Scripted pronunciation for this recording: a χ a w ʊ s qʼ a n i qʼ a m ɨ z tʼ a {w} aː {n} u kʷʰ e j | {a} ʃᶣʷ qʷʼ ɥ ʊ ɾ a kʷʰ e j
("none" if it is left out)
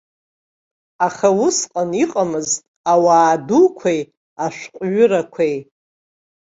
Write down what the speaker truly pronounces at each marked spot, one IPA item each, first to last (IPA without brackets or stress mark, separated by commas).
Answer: w, d, a